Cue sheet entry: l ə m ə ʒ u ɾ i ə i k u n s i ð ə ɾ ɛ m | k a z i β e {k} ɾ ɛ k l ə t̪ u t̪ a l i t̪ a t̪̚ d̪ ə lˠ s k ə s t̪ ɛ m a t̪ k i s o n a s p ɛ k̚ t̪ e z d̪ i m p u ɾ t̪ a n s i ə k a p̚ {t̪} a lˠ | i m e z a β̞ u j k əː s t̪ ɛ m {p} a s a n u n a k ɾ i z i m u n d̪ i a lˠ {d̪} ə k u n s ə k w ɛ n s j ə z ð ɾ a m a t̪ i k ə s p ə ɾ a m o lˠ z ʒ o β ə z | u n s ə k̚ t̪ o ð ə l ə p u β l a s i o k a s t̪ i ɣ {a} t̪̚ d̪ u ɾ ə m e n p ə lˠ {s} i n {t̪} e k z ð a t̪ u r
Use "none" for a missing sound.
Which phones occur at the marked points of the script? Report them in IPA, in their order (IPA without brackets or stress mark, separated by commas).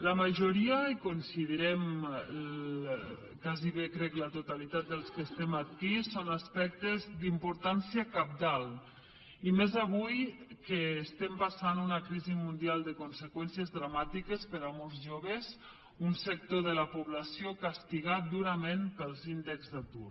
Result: k, d̪, p, d̪, a, z, d̪